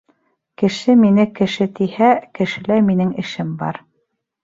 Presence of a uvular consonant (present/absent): absent